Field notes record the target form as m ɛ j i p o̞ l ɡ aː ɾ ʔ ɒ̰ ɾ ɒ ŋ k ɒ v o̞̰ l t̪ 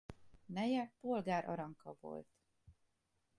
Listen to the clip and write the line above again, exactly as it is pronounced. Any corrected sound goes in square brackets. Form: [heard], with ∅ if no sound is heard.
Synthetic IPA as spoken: [n] ɛ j [ɛ] p o̞ l ɡ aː ɾ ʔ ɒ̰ ɾ ɒ ŋ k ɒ v o̞̰ l t̪

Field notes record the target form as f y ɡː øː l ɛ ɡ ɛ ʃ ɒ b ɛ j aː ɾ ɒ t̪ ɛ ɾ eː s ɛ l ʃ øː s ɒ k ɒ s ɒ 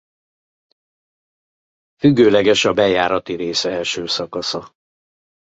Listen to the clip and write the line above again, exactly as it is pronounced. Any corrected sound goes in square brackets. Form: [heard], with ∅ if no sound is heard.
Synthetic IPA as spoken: f y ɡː øː l ɛ ɡ ɛ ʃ ɒ b ɛ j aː ɾ ɒ t̪ [i] ɾ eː s ɛ l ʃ øː s ɒ k ɒ s ɒ

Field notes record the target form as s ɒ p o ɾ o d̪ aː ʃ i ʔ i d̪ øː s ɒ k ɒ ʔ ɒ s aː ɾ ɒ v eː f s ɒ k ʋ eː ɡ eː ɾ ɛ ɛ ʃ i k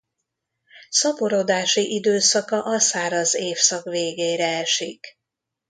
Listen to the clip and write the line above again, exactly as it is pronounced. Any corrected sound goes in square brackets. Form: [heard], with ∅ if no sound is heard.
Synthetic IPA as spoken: s ɒ p o ɾ o d̪ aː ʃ i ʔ i d̪ øː s ɒ k ɒ ʔ ɒ s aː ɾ ɒ [z] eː f s ɒ k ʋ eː ɡ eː ɾ ɛ ɛ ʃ i k

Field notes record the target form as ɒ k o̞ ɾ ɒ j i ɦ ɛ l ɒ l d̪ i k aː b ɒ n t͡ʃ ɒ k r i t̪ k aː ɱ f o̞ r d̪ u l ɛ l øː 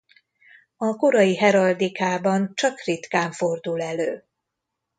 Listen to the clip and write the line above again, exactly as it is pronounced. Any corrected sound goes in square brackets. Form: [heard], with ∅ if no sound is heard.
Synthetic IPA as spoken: ɒ k o̞ ɾ ɒ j i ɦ ɛ [ɾ] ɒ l d̪ i k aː b ɒ n t͡ʃ ɒ k r i t̪ k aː ɱ f o̞ r d̪ u l ɛ l øː

